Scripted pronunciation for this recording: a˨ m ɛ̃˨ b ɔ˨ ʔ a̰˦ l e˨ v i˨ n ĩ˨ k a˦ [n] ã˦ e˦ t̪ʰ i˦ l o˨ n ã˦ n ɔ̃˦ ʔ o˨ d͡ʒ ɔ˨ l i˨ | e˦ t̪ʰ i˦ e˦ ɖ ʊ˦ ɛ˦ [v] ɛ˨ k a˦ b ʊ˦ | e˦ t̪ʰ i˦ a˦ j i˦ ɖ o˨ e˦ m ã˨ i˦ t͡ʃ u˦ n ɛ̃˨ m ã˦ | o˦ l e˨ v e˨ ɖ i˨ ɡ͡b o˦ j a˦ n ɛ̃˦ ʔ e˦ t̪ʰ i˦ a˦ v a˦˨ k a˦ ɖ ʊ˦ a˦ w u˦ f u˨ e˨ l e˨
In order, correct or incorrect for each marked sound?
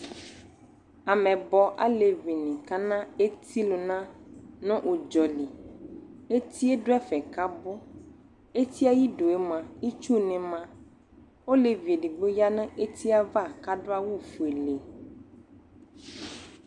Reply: correct, incorrect: f

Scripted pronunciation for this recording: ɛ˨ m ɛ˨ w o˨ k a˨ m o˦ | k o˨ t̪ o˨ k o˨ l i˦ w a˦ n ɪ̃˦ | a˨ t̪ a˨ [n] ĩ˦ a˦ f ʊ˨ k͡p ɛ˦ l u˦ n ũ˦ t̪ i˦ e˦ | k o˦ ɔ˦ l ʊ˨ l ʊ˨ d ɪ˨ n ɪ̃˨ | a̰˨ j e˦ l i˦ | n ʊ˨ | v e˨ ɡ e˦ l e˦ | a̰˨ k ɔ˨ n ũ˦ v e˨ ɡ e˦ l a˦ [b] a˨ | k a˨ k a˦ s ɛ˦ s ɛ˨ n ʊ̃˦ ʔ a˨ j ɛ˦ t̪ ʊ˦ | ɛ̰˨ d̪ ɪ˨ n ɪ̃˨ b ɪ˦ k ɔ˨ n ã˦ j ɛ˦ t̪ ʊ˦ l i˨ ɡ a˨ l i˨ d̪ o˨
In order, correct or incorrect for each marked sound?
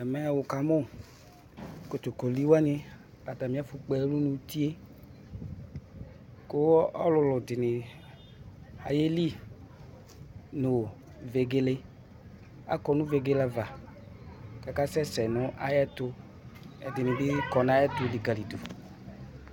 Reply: incorrect: m, incorrect: v

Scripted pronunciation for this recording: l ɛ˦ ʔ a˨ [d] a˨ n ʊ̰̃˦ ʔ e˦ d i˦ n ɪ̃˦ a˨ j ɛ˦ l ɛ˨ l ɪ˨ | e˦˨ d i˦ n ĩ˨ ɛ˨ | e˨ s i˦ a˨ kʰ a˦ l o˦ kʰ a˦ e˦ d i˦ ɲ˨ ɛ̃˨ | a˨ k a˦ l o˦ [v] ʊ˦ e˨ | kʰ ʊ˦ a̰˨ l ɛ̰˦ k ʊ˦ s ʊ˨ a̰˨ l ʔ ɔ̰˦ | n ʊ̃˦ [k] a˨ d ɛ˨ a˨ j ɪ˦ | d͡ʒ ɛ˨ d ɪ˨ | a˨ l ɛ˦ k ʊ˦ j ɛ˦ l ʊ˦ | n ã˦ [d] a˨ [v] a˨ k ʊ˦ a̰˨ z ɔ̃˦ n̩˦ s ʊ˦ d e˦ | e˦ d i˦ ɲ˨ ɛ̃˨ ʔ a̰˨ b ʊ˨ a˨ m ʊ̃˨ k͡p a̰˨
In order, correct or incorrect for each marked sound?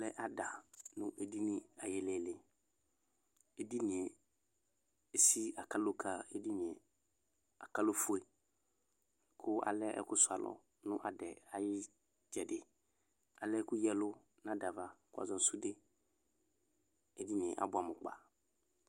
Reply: correct, incorrect: f, incorrect: ʔ, correct, correct

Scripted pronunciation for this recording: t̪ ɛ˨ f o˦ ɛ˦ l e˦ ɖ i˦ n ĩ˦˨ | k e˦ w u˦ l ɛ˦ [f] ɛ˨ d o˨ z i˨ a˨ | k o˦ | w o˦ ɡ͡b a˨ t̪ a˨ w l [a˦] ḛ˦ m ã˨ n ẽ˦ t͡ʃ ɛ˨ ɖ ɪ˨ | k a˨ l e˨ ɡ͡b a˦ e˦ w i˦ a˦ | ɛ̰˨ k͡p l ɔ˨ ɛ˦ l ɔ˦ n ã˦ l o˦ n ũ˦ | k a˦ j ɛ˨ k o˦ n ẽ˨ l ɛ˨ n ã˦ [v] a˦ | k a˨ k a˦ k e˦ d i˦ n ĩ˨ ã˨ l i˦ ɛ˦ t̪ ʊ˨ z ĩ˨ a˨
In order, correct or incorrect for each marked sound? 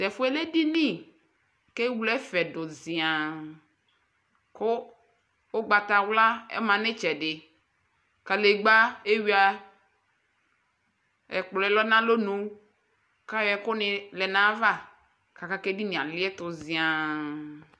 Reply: correct, correct, correct

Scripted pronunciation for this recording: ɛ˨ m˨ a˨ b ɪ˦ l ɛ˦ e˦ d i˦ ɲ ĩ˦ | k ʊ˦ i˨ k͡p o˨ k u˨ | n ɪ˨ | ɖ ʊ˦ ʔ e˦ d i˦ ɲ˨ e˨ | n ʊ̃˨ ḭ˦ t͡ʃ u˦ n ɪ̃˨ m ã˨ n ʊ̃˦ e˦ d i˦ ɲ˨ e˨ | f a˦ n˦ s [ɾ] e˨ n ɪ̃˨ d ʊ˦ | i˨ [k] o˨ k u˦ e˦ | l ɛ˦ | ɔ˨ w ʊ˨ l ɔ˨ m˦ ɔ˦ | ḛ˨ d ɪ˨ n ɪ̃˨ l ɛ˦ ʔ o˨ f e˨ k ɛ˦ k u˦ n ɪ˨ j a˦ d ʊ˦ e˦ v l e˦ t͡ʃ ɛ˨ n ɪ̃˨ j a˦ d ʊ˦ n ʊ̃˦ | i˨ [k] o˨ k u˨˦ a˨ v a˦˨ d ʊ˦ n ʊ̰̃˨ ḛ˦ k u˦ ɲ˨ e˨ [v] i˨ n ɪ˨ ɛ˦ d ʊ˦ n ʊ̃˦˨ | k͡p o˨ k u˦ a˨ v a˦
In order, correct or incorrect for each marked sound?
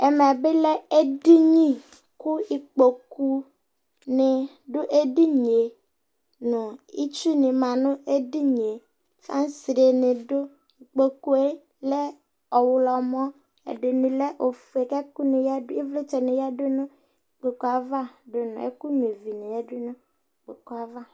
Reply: correct, incorrect: k͡p, incorrect: k͡p, correct

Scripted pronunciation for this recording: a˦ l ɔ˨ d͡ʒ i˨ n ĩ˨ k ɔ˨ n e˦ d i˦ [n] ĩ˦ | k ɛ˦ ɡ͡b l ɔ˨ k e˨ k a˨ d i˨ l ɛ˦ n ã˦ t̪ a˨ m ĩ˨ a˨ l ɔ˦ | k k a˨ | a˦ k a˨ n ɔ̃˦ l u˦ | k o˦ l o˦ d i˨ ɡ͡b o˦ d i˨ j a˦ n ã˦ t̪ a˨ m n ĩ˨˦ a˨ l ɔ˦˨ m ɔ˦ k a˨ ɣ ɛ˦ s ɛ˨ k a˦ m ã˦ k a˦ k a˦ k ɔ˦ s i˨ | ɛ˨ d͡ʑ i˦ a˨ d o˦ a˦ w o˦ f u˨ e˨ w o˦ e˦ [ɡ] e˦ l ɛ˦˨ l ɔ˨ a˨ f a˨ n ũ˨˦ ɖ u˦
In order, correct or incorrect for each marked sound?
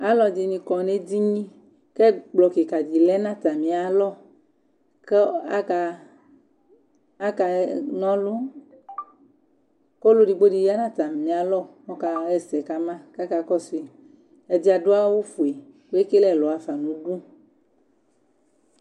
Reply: incorrect: ɲ, incorrect: k

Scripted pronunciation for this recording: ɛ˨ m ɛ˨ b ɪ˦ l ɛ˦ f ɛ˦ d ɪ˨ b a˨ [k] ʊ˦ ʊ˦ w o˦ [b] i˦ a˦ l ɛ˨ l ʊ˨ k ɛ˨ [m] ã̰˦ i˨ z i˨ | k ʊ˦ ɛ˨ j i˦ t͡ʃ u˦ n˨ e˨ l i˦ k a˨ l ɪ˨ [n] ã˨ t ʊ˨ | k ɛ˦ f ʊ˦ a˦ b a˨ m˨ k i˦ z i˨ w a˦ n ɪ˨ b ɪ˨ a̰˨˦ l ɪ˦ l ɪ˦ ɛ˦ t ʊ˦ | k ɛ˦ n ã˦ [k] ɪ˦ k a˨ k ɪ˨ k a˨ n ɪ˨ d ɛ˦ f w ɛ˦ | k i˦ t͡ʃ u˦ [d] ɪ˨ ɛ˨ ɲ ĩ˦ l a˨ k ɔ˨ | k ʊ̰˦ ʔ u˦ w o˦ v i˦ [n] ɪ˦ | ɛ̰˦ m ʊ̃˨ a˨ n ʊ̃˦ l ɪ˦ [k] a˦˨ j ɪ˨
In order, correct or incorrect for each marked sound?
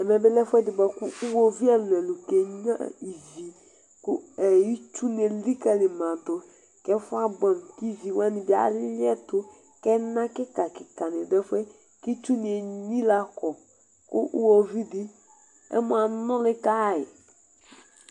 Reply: correct, incorrect: v, incorrect: ɲ, incorrect: m, correct, incorrect: n, incorrect: d, correct

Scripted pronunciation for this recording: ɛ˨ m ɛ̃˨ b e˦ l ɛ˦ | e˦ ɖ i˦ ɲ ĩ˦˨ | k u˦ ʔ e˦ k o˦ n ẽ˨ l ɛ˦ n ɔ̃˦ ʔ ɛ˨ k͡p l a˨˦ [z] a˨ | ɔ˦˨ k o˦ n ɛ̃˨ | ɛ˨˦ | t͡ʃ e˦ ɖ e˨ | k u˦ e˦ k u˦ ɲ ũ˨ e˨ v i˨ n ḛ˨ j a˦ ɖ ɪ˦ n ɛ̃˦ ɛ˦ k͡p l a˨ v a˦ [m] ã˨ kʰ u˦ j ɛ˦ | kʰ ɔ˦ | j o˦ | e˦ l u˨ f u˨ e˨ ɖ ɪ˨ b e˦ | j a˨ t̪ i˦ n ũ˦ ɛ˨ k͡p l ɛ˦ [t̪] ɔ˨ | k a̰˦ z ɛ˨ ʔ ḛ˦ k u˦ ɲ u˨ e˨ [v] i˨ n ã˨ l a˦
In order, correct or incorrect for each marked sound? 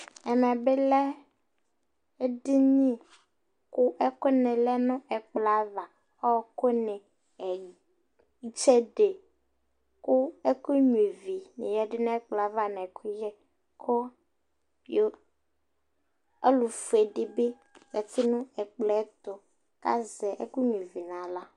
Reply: incorrect: v, incorrect: n, correct, correct

